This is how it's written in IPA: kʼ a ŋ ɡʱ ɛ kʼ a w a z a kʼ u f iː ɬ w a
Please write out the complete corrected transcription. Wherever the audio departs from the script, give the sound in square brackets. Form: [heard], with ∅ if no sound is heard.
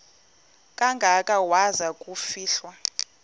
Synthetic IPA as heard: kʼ a ŋ ɡʱ [a] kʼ a w a z a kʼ u f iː ɬ w a

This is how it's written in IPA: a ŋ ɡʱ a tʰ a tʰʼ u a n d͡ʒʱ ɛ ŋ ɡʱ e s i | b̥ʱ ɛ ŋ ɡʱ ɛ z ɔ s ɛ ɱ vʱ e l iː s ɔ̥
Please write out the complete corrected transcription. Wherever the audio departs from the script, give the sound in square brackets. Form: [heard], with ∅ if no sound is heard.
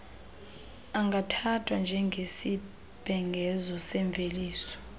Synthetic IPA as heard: a ŋ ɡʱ a tʰ a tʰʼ [w] a n d͡ʒʱ ɛ ŋ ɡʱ e s i | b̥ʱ ɛ ŋ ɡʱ ɛ z ɔ s ɛ ɱ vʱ e l iː s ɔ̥

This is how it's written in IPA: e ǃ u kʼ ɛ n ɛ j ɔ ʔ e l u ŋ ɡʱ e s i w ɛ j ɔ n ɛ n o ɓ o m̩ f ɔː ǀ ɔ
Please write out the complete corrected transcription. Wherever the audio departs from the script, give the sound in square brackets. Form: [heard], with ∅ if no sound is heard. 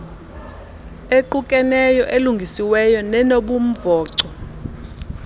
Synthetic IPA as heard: e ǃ u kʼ ɛ n ɛ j ɔ ʔ e l u ŋ ɡʱ [i] s i w ɛ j ɔ n ɛ n o ɓ [u] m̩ [v] ɔː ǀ ɔ

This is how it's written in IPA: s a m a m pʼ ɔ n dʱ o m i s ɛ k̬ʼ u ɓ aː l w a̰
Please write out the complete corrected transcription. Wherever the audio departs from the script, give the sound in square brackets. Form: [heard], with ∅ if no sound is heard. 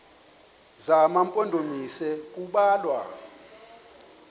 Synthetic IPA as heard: [z] a m a m pʼ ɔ n dʱ o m i s ɛ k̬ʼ u ɓ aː l w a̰

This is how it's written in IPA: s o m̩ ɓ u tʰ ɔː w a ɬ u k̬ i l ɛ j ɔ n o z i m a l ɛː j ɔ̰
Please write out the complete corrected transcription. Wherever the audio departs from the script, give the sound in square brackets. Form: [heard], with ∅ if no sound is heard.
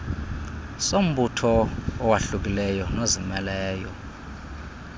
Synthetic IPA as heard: s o m̩ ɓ u tʰ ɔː w a ɬ u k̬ i l ɛ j ɔ n o z i m [ɛ] l ɛː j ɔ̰

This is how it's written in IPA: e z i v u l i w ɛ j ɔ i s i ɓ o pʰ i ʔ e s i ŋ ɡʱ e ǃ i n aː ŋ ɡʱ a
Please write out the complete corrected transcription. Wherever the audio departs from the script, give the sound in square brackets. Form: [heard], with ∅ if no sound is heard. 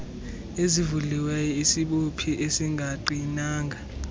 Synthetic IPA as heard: e z i v u l i w ɛ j ɔ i s i ɓ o pʰ i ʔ e s i ŋ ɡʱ [a] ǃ i n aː ŋ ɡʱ a

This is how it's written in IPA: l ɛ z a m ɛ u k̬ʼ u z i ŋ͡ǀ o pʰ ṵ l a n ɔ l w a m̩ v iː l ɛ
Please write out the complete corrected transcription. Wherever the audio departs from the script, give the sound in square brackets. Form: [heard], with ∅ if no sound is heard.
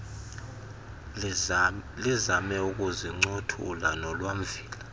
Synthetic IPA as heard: l [i] z a m ɛ u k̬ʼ u z i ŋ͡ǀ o [tʰ] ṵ l a n ɔ l w a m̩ v iː l [a]

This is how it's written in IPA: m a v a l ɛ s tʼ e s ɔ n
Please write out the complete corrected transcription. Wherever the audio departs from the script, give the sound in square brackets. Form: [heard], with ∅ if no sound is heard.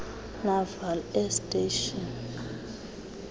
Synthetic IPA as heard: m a v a l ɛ s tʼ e [ʃ] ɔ n

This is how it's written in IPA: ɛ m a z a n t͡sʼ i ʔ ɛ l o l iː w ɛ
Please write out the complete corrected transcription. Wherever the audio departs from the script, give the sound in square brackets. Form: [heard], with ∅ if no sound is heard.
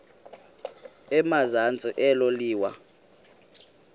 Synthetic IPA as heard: ɛ m a z a n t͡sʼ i ʔ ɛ l o l iː w [a]

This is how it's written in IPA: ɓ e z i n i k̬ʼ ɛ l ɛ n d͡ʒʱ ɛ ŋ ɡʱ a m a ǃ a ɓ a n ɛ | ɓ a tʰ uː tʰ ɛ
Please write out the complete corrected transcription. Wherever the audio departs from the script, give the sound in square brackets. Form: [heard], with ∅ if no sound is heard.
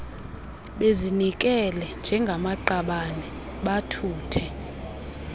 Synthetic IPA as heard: ɓ e z i n i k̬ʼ ɛ l ɛ n d͡ʒʱ ɛ ŋ ɡʱ a m a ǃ a ɓ a n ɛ | ɓ a tʰ uː tʰ ɛ

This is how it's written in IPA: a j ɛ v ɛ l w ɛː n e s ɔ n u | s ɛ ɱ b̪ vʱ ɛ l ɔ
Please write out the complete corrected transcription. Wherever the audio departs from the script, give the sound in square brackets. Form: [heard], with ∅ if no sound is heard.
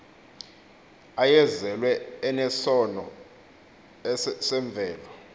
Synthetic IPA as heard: a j ɛ [z] ɛ l w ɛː n [ɛ] s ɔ n [ɔ] | s ɛ ɱ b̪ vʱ [ɛː] l ɔ

